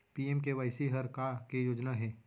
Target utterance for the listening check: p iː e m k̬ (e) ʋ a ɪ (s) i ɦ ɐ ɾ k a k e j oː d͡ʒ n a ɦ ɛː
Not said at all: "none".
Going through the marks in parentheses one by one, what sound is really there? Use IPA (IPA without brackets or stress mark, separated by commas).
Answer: e, s